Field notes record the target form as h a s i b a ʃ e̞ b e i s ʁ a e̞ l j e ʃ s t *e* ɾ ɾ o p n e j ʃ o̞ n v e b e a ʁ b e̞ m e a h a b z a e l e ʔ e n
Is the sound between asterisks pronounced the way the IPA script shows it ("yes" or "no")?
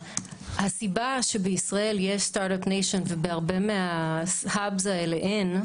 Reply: no